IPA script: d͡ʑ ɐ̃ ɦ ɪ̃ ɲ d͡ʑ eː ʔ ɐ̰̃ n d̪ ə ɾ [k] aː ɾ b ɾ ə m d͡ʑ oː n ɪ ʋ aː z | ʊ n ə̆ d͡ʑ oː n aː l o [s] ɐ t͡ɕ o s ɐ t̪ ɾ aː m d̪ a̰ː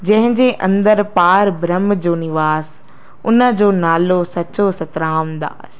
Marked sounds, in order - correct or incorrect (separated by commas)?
incorrect, correct